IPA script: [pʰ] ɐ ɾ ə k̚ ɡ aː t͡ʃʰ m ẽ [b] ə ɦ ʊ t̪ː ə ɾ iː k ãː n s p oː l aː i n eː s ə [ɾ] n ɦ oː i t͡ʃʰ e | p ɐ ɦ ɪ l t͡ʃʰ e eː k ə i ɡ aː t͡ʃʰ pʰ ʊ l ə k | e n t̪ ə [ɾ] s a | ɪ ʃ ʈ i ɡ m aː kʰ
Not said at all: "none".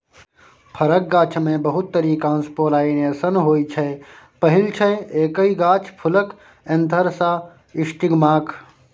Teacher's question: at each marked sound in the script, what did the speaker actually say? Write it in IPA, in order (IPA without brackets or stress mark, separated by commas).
pʰ, b, none, ɾ